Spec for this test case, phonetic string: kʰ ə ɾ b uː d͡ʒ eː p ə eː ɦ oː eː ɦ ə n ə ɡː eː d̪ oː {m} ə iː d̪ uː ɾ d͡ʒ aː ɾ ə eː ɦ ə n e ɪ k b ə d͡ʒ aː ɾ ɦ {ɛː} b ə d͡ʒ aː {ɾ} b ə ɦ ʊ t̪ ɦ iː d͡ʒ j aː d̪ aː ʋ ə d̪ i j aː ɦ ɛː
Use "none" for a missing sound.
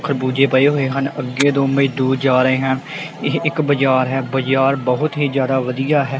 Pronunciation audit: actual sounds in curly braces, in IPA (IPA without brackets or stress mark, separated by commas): m, ɛː, ɾ